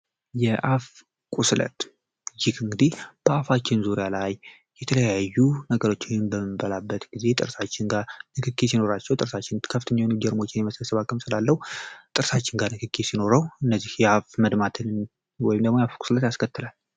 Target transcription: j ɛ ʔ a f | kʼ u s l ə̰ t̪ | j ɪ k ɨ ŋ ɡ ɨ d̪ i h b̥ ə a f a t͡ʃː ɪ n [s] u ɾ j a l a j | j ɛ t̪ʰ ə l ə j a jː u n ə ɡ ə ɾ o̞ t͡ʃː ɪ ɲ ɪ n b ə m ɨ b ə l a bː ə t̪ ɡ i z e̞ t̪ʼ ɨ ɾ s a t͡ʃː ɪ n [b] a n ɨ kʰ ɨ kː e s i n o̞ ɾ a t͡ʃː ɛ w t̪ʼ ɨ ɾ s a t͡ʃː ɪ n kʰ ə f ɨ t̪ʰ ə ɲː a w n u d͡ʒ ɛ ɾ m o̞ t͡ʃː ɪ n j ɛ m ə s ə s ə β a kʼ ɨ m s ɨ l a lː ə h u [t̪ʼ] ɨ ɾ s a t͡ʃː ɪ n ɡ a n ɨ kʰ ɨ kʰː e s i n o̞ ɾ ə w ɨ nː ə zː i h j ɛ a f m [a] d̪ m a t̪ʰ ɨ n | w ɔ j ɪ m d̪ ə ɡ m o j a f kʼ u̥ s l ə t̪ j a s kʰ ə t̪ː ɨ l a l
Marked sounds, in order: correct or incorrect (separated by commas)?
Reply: incorrect, incorrect, correct, incorrect